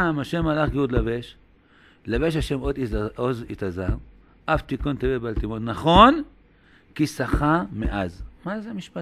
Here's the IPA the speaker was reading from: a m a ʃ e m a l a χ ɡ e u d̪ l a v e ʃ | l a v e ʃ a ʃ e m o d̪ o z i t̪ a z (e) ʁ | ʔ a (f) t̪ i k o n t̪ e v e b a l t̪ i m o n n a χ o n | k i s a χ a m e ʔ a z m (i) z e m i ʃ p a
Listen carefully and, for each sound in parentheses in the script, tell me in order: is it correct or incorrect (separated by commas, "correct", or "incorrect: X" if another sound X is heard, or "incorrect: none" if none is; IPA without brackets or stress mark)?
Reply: incorrect: a, correct, incorrect: a